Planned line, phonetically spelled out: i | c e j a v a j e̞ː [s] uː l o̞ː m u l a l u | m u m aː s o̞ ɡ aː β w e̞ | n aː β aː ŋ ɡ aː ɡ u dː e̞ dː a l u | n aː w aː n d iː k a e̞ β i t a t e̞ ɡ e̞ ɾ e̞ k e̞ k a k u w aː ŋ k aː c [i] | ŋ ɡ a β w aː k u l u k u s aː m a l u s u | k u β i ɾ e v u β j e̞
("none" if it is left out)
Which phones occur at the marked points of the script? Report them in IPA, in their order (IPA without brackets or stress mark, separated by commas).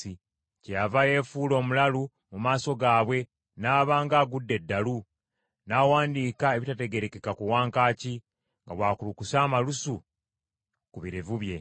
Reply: f, i